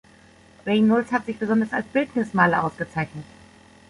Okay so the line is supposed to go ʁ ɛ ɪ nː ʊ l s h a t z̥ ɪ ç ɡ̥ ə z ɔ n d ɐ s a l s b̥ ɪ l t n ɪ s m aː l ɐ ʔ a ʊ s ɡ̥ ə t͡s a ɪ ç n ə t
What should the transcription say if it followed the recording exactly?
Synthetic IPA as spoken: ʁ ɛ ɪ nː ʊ l s h a t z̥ ɪ ç b̥ ə z ɔ n d ɐ s a l s b̥ ɪ l t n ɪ s m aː l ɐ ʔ a ʊ s ɡ̥ ə t͡s a ɪ ç n ə t